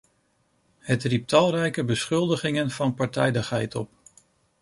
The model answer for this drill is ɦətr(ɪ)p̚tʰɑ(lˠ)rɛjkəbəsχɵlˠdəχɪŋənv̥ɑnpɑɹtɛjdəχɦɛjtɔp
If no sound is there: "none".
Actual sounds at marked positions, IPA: i, lˠ

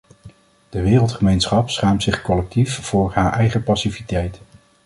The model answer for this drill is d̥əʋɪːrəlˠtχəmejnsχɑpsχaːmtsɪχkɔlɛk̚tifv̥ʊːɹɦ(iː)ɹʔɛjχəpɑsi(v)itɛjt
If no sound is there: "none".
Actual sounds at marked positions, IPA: aː, v

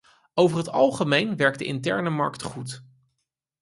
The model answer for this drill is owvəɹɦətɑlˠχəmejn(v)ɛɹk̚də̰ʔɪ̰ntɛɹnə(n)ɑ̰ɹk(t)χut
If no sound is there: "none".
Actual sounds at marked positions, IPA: ʋ, m, t

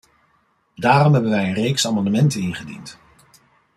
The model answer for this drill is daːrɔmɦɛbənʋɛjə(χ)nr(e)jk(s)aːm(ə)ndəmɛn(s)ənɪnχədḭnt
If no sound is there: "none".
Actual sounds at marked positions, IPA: none, e, s, ɑ, t

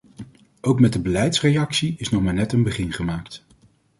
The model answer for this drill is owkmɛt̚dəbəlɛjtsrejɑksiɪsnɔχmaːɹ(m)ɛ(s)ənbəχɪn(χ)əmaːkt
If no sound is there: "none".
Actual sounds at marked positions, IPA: n, t, χ

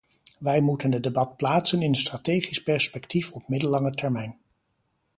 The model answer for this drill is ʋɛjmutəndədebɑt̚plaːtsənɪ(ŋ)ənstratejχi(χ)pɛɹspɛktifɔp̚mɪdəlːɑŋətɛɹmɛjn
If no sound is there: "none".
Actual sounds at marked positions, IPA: n, s

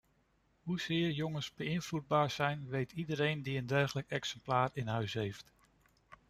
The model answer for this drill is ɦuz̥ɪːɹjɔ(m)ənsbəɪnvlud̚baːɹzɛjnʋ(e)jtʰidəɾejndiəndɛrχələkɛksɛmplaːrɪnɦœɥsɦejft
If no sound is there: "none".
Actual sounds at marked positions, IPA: ŋ, e

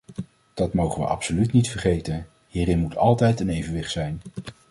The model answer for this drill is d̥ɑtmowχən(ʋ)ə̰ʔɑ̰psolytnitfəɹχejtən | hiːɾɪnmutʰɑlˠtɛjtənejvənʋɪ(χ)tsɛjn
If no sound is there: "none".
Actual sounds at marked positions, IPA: ʋ, χ

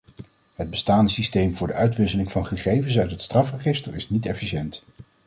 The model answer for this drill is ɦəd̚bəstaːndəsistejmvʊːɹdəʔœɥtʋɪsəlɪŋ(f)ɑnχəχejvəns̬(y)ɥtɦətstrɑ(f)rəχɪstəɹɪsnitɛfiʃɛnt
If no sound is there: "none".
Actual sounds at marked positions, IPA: v, œ, f

